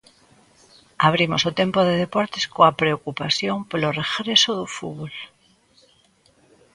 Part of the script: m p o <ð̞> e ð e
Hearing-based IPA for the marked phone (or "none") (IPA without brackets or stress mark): ð̞